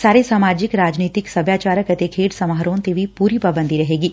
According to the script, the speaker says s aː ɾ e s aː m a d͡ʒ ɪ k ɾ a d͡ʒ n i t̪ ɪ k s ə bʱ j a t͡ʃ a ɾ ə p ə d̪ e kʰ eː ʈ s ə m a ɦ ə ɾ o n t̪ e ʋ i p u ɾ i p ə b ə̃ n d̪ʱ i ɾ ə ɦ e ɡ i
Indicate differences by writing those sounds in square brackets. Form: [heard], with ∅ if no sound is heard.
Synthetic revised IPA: s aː ɾ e s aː m a d͡ʒ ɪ k ɾ a d͡ʒ n i t̪ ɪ k s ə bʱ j a t͡ʃ a ɾ ə [k] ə [t̪] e kʰ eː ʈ s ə m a ɦ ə ɾ o n t̪ e ʋ i p u ɾ i p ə b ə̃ n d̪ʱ i ɾ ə ɦ e ɡ i